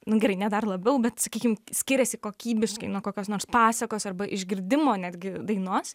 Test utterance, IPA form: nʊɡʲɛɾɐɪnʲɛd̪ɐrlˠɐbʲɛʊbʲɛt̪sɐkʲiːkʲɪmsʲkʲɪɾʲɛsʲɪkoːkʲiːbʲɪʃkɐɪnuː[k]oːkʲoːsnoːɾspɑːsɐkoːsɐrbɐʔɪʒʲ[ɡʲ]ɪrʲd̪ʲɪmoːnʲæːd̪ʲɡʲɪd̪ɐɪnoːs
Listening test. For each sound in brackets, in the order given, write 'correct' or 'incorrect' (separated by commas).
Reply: correct, correct